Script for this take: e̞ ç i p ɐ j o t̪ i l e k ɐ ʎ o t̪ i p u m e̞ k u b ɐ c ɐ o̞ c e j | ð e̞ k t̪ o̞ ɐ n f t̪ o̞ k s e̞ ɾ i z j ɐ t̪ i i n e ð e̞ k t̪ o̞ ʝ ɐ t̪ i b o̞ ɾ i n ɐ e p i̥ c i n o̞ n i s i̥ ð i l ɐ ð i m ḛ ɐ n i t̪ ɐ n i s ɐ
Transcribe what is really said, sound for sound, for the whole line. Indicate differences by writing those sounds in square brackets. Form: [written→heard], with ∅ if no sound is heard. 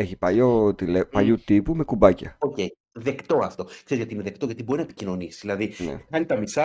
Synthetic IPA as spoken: e̞ ç i p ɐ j o t̪ i l e [k→p] ɐ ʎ [o→u] t̪ i p u m e̞ k u b ɐ c ɐ o̞ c e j | ð e̞ k t̪ o̞ ɐ [n→∅] f t̪ o̞ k s e̞ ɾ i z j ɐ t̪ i i n e ð e̞ k t̪ o̞ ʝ ɐ t̪ i b o̞ ɾ i n ɐ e p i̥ c i n o̞ n i s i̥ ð i l ɐ ð i [m→n] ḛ ɐ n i t̪ ɐ [n→m] i s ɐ